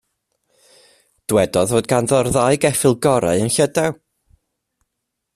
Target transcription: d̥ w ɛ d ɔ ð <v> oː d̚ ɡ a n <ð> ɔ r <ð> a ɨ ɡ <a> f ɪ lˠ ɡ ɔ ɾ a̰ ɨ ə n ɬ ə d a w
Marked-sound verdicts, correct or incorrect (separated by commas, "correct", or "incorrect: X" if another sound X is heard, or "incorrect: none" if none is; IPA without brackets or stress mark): correct, correct, correct, incorrect: ɛ